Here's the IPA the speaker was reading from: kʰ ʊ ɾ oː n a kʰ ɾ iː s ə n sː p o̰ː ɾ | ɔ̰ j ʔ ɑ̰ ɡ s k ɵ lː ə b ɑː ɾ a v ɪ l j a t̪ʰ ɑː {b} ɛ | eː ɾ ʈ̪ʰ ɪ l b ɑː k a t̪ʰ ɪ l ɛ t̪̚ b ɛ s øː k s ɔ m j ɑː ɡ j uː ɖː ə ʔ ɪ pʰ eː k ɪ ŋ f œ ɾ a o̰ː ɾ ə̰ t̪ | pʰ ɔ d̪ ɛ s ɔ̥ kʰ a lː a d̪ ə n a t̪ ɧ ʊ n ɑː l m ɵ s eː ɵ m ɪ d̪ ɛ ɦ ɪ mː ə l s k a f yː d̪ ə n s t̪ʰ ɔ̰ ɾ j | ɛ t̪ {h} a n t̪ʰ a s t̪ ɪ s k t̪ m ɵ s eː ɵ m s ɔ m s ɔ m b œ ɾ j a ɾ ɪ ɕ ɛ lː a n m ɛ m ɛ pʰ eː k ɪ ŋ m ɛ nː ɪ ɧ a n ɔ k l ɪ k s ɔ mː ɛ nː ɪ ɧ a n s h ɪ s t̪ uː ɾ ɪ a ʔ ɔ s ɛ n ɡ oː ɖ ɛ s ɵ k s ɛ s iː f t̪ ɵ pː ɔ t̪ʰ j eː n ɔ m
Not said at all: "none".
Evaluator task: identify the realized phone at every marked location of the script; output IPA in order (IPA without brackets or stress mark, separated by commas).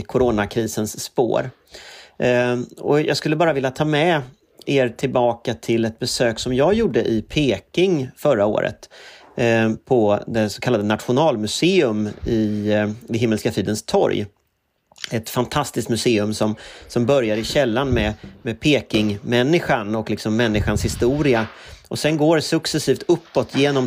m, f